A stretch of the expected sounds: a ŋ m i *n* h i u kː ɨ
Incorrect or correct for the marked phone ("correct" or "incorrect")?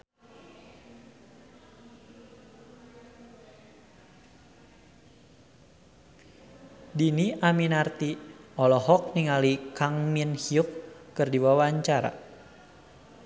correct